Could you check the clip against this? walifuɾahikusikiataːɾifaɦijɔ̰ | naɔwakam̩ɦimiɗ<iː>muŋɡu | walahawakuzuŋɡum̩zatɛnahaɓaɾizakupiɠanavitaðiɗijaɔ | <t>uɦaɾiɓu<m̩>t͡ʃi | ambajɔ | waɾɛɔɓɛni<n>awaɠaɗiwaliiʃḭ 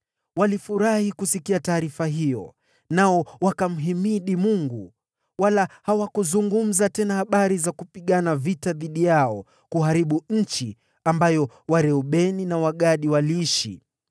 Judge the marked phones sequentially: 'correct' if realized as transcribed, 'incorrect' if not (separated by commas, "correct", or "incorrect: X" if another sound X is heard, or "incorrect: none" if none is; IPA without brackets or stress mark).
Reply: incorrect: i, incorrect: k, incorrect: ɲ̩, correct